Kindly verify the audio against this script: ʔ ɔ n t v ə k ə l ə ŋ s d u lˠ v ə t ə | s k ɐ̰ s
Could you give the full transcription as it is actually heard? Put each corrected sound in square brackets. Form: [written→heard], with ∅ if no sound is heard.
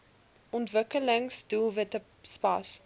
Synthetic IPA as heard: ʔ ɔ n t v ə k ə l ə ŋ s d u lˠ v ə t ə | s [k→p] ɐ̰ s